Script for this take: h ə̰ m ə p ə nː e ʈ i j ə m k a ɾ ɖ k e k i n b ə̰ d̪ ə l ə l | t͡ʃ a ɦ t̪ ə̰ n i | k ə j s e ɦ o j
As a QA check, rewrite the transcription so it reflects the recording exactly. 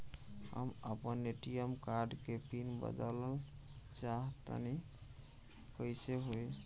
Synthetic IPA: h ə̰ m ə p ə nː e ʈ i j ə m k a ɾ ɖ k e p i n b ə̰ d̪ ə l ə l | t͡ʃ a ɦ t̪ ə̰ n i | k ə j s e ɦ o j